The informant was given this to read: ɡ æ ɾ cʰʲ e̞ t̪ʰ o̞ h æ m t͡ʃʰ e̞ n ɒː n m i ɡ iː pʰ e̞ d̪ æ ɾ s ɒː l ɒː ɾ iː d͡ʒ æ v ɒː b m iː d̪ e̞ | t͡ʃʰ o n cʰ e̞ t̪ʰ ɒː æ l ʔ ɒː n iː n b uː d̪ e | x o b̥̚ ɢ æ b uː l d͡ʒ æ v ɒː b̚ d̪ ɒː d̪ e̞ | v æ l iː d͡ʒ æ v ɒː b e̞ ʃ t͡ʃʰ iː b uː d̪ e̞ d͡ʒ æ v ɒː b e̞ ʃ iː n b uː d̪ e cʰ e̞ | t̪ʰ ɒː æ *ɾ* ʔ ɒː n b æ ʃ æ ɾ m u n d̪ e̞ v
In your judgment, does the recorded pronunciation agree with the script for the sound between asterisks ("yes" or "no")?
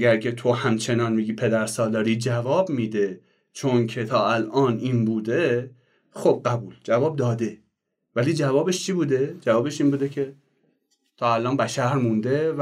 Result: no